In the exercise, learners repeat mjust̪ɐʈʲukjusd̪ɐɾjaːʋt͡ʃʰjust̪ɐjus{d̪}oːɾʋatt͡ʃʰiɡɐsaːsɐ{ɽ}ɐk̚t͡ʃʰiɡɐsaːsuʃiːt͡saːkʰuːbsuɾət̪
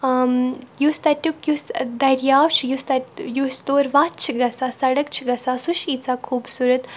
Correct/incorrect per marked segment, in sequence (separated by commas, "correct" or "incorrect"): incorrect, correct